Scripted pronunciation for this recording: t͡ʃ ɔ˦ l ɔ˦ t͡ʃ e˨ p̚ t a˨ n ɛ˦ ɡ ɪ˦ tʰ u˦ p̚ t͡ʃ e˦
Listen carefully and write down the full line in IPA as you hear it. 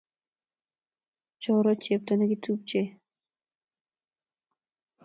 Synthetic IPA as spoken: t͡ʃ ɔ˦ ɾ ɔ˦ t͡ʃ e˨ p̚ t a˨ n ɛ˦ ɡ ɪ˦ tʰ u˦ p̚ t͡ʃ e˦